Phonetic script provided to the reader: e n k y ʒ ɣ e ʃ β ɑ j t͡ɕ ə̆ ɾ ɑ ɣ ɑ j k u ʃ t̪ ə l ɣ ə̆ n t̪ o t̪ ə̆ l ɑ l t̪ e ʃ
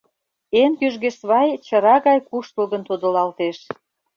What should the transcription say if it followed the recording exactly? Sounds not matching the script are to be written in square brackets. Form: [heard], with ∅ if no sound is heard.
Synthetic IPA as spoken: e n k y ʒ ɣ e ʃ β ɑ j t͡ɕ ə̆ ɾ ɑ ɣ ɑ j k u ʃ t̪ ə l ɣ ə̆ n t̪ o [d̪] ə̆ l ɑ l t̪ e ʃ